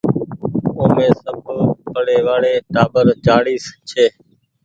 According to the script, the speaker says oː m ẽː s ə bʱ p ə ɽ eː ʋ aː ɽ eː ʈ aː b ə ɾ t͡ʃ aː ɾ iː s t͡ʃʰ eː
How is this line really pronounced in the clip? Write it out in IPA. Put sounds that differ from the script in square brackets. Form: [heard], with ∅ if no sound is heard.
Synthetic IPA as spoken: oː m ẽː s ə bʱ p ə ɽ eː ʋ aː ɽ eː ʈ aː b ə ɾ t͡ʃ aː [ɽ] iː s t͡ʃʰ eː